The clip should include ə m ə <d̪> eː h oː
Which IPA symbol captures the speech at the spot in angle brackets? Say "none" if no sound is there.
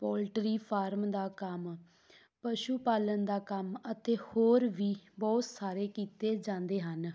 t̪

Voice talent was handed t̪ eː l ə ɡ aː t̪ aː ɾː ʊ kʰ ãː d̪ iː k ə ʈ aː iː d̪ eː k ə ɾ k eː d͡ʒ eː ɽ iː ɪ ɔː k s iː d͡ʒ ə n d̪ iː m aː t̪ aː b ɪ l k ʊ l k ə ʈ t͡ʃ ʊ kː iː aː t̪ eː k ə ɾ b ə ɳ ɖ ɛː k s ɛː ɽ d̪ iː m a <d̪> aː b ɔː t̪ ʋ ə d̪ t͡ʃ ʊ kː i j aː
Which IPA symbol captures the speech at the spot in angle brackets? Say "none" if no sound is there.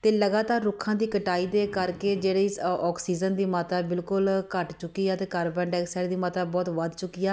t̪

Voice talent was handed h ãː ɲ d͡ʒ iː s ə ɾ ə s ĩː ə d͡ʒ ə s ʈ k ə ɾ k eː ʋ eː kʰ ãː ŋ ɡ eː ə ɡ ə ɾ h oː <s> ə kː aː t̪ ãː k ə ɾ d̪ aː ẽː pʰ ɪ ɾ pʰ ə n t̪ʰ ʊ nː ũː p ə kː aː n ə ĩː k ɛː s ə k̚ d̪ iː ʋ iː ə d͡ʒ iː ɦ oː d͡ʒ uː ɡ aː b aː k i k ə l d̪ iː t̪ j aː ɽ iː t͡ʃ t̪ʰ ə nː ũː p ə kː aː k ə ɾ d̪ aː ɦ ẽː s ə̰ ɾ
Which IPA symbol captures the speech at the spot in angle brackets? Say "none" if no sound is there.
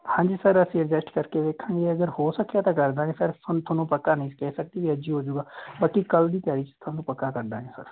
s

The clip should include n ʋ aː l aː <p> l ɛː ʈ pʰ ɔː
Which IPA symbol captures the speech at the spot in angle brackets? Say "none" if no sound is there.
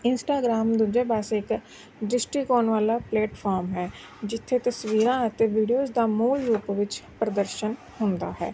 p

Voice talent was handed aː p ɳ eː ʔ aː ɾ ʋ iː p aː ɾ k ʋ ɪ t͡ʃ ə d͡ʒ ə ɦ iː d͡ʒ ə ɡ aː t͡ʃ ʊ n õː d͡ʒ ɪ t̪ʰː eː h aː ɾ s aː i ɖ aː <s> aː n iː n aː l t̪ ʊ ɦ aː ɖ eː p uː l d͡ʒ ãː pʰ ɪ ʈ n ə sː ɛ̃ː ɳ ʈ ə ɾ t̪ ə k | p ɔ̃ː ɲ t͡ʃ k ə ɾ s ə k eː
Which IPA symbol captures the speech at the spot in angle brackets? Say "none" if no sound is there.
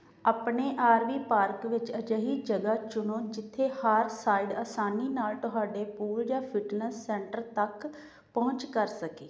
s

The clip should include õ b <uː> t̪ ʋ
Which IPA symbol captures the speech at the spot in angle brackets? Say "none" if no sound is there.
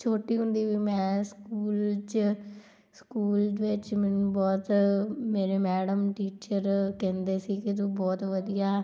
ɔː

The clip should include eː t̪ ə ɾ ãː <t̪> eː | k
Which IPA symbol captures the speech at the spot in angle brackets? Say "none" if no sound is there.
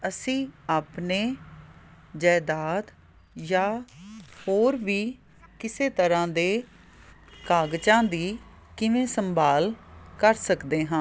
d̪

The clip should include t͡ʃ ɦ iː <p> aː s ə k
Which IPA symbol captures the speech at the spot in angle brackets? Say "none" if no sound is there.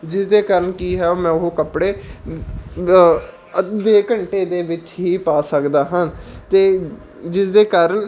p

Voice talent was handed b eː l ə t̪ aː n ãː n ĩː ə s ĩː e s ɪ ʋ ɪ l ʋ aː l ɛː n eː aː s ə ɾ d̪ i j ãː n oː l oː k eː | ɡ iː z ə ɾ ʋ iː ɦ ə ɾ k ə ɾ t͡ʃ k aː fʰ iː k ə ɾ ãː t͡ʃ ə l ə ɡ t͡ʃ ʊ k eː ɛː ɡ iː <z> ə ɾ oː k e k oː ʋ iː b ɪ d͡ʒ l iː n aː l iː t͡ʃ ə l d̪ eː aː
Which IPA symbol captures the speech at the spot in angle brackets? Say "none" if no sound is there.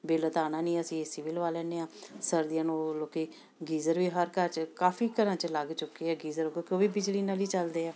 z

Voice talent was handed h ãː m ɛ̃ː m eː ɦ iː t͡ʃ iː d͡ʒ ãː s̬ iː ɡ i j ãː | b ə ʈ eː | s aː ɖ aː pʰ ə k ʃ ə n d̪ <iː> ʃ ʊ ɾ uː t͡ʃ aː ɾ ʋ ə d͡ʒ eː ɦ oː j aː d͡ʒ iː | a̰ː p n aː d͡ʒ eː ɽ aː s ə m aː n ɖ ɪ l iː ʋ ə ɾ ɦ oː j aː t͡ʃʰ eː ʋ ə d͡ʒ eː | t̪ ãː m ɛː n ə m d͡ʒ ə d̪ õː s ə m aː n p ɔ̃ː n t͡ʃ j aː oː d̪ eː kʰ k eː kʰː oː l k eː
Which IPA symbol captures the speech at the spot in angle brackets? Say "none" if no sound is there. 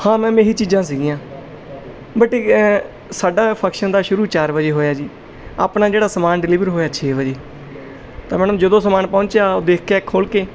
aː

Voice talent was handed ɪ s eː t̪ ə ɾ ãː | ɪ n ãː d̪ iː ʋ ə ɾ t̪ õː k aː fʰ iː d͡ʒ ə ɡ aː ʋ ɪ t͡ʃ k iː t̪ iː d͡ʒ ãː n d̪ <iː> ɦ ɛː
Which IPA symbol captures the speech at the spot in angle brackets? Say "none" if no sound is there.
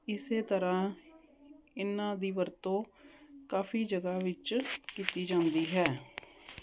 iː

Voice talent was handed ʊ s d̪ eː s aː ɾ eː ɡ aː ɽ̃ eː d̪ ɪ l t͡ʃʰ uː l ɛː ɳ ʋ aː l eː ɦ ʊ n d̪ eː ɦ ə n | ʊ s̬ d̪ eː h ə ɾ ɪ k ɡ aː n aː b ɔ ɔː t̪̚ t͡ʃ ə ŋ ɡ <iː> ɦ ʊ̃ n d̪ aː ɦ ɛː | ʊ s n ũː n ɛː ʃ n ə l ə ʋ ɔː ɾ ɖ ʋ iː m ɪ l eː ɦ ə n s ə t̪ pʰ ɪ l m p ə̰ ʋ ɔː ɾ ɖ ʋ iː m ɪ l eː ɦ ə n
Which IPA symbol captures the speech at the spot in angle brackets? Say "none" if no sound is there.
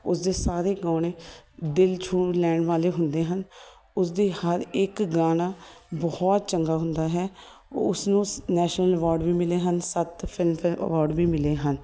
aː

